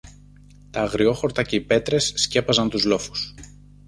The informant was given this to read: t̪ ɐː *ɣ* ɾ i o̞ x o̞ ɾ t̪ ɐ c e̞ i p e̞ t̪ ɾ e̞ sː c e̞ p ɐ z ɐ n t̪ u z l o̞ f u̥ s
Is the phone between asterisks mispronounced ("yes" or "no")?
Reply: no